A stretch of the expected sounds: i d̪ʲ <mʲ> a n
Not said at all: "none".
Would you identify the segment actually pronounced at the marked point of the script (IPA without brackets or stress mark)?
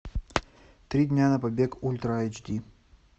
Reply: nʲ